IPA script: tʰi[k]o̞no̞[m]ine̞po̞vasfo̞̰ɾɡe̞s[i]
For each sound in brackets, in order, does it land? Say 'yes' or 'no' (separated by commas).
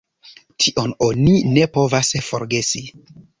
no, no, yes